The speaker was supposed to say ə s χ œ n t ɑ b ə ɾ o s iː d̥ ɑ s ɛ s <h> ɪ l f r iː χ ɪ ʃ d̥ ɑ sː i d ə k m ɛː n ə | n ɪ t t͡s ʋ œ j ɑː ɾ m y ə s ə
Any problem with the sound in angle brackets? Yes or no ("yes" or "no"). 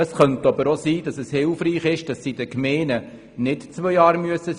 no